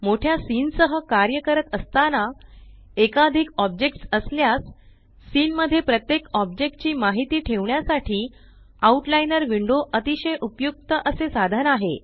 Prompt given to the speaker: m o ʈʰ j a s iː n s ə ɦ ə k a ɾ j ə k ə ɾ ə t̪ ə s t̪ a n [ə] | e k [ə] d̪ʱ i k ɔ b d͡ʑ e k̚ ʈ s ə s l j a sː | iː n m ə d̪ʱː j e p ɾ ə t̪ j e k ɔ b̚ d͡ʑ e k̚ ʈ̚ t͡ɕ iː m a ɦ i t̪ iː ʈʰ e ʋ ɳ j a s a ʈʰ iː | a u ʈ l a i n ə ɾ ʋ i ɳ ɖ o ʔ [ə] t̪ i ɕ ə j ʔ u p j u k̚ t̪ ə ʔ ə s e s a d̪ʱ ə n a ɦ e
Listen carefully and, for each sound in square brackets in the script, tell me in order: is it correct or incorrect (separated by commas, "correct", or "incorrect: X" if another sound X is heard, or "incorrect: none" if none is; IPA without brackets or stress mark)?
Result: incorrect: a, incorrect: a, correct